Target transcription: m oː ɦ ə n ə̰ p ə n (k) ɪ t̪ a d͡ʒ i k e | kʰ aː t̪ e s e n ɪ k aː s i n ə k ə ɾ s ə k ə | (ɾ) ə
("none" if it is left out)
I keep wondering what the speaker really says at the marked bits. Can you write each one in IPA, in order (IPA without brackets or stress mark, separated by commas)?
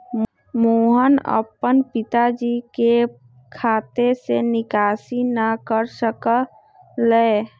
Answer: p, l